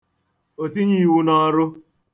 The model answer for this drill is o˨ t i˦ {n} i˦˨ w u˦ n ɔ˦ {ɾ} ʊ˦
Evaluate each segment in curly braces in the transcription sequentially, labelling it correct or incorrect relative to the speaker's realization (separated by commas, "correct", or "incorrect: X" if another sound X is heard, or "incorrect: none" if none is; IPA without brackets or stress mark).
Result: incorrect: ɲ, correct